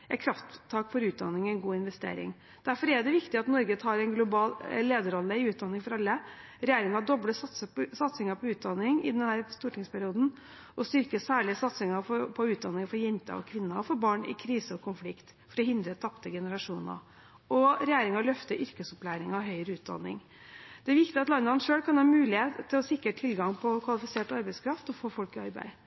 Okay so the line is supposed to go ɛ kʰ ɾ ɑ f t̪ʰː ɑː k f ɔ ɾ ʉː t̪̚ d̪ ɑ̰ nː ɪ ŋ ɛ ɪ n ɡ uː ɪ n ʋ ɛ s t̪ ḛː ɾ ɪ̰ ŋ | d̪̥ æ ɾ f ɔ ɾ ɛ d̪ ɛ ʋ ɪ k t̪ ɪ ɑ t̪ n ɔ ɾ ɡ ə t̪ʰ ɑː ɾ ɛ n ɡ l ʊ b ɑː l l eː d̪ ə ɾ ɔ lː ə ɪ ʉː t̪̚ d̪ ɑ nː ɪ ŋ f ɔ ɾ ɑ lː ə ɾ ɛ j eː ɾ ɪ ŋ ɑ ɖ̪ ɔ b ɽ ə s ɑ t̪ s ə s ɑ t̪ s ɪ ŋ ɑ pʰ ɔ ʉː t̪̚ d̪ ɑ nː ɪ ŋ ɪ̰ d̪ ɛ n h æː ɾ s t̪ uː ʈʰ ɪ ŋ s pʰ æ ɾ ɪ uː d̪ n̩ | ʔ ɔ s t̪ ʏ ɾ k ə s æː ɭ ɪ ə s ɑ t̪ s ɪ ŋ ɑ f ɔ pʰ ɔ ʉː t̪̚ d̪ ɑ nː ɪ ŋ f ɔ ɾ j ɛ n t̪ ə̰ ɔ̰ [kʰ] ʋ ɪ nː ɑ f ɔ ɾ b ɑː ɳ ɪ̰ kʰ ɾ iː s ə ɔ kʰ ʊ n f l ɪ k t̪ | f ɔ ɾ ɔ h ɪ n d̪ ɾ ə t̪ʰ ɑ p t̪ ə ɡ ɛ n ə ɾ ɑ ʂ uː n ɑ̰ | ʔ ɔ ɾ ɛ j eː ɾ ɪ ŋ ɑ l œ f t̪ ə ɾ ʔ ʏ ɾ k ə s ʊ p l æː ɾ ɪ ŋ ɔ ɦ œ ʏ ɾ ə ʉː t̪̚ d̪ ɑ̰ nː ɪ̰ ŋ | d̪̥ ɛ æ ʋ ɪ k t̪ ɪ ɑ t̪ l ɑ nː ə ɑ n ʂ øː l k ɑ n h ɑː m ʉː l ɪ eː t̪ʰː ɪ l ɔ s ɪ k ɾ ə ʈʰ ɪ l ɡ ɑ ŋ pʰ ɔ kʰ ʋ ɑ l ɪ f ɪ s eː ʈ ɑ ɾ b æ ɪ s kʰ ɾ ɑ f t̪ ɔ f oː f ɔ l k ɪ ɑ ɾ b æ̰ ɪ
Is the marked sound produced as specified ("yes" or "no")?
yes